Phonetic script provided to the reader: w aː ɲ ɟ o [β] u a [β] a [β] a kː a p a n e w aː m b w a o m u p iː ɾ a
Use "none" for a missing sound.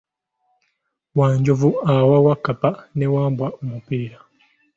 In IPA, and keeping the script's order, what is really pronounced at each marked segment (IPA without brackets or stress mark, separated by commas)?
v, w, w